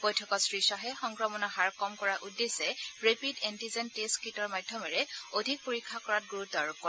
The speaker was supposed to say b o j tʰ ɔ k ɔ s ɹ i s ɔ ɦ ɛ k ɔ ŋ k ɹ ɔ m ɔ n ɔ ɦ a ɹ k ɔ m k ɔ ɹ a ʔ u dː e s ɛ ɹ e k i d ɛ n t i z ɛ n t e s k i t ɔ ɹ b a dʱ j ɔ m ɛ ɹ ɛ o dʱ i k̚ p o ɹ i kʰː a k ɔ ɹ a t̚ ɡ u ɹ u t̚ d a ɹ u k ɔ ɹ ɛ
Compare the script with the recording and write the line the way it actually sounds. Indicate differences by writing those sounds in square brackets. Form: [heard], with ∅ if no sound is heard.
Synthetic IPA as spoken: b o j tʰ ɔ k ɔ s ɹ i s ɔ ɦ ɛ [x] ɔ ŋ k ɹ ɔ m ɔ n ɔ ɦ a ɹ k ɔ m k ɔ ɹ a ʔ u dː e s ɛ ɹ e [p] i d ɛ n t i z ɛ n t e s k i t ɔ ɹ [m] a dʱ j ɔ m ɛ ɹ ɛ o dʱ i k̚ p o ɹ i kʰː a k ɔ ɹ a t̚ ɡ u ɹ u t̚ d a ɹ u k ɔ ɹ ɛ